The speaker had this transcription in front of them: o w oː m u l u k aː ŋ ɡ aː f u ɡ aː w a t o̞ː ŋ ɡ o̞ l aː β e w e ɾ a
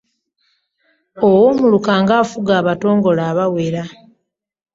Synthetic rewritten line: o w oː m u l u k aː ŋ ɡ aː f u ɡ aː β a t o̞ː ŋ ɡ o̞ l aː β a w e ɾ a